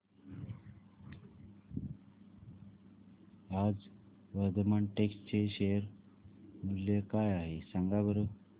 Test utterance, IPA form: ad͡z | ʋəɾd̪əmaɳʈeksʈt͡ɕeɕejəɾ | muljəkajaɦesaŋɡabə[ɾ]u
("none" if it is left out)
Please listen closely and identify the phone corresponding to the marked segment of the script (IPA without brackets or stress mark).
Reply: ɾ